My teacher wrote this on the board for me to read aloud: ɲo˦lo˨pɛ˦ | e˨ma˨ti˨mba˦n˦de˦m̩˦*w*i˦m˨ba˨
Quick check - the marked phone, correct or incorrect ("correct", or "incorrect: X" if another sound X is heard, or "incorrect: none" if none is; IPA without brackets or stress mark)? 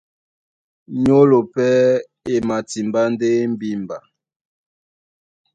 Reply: incorrect: b